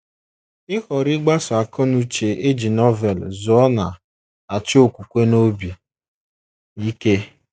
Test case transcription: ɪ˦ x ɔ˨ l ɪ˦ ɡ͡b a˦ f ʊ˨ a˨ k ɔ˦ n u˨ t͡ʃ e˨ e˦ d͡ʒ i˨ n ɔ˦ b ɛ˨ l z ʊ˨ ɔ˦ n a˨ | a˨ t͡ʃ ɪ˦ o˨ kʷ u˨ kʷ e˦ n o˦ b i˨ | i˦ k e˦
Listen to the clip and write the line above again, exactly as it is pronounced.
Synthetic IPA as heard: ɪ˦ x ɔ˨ ɾ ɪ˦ ɡ͡b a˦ s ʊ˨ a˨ k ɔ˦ n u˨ t͡ʃ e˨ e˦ d͡ʒ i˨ n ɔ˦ v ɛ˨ l z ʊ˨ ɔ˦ n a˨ | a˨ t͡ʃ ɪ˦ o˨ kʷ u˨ kʷ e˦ n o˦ b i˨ | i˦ k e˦